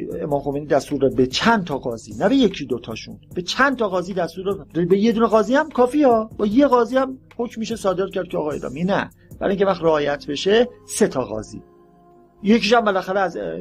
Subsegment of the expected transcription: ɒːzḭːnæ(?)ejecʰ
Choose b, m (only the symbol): b